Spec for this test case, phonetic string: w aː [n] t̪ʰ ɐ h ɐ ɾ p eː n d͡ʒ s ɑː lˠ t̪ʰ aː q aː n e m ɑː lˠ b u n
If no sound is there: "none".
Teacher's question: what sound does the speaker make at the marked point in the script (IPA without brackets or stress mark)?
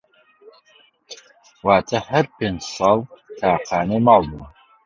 none